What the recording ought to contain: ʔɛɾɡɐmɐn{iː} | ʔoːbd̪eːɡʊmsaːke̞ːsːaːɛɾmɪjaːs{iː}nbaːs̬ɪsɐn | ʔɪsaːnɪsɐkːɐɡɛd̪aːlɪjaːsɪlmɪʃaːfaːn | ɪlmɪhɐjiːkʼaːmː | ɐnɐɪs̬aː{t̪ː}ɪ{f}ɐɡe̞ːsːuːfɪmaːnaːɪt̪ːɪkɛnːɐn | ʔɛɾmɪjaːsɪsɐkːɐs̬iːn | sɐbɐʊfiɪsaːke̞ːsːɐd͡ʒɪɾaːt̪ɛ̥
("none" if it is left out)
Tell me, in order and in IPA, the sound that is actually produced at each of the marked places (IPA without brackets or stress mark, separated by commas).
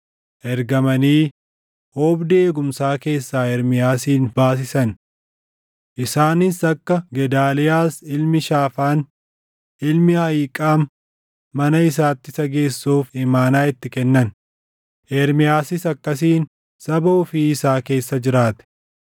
iː, iː, t̪ː, s